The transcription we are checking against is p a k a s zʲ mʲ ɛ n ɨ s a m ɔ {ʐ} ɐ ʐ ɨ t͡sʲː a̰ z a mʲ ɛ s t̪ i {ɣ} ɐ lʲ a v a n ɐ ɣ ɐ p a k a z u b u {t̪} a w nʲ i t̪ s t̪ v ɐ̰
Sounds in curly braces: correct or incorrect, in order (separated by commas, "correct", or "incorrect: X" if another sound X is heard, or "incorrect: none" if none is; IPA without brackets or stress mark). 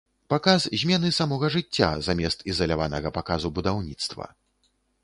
incorrect: ɣ, incorrect: z, incorrect: d̪